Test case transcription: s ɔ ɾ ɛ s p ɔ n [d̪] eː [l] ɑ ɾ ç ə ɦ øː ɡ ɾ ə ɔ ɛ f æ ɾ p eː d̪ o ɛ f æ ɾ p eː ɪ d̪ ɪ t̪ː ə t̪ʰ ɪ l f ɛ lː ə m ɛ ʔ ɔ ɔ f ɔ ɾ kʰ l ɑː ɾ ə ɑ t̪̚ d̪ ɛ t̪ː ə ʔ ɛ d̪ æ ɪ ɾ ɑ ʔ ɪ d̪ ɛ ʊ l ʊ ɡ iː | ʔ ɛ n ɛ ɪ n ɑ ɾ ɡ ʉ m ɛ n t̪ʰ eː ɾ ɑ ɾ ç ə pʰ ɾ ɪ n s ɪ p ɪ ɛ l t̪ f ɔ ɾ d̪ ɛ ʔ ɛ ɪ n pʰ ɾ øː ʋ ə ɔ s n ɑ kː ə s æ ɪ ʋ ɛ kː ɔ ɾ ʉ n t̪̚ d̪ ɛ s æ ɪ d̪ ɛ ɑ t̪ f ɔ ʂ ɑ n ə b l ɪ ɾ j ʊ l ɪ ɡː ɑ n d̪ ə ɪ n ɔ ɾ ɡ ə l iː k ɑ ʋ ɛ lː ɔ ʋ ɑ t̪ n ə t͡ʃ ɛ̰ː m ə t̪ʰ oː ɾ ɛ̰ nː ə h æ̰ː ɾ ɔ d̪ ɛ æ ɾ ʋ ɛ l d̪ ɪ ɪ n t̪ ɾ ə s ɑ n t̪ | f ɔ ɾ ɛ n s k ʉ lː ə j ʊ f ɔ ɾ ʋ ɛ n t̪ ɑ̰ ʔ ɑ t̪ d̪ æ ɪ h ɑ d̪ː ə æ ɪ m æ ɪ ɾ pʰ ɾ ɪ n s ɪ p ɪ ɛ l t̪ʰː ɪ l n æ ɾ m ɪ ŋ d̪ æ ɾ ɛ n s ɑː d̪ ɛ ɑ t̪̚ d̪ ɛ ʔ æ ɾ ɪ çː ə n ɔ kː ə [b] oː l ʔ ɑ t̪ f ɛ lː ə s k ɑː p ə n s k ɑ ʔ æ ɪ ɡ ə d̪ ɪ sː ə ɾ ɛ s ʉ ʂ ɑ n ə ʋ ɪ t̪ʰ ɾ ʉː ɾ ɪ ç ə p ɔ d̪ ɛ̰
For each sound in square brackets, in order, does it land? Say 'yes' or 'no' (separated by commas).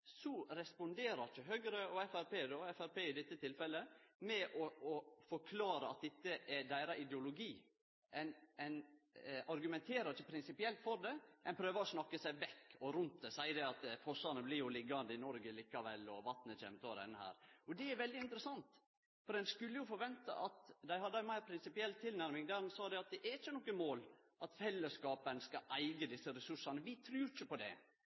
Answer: yes, no, no